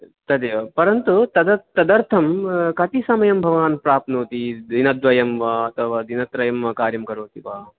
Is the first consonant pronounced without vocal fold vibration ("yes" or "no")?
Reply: yes